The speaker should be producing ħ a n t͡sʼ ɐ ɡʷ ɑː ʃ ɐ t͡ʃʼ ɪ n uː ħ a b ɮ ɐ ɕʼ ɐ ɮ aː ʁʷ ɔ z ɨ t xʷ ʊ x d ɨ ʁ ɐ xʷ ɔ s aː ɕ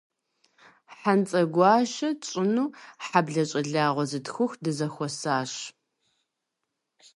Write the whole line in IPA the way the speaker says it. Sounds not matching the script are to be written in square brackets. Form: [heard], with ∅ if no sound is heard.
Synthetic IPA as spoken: ħ a n t͡sʼ ɐ ɡʷ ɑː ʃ ɐ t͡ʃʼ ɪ n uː ħ a b ɮ ɐ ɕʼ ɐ ɮ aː ʁʷ ɔ z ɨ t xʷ ʊ x d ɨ [z] ɐ xʷ ɔ s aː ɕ